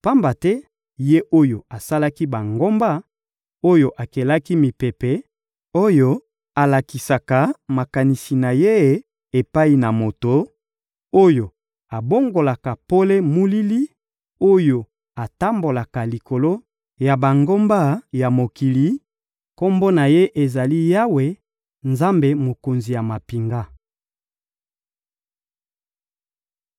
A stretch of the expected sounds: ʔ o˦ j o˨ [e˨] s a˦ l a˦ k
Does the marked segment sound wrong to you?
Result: yes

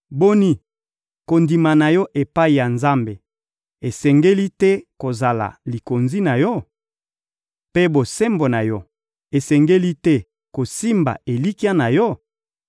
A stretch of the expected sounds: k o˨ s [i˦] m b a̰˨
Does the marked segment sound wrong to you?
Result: no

